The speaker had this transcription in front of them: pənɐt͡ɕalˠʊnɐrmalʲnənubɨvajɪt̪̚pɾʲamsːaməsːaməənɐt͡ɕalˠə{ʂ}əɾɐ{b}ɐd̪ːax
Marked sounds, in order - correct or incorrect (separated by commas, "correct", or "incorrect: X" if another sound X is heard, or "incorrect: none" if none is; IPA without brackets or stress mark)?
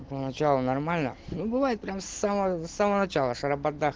correct, correct